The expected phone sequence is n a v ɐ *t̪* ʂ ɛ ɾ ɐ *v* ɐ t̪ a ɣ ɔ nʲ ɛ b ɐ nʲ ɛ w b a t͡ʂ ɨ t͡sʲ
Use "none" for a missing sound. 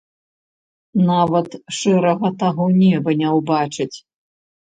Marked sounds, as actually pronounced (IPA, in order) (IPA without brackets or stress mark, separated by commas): t̪, ɣ